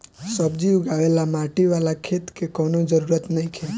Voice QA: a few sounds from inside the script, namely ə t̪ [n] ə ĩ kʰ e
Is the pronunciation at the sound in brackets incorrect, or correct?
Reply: correct